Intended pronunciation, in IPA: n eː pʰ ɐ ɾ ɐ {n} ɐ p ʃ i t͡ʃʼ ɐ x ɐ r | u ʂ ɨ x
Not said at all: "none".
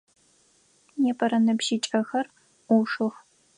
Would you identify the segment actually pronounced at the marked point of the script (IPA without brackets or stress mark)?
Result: n